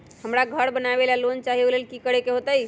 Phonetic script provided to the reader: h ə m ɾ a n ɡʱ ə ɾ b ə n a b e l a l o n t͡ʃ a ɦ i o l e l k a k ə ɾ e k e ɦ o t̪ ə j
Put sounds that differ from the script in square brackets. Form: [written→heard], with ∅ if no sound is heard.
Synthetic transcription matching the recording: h ə m ɾ a [n→∅] ɡʱ ə ɾ b ə n a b e l a l o n t͡ʃ a ɦ i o l e l k [a→i] k ə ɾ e k e ɦ o t̪ ə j